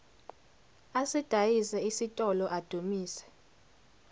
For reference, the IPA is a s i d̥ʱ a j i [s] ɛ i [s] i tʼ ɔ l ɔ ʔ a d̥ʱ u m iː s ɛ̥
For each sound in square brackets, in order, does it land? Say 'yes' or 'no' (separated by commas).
yes, yes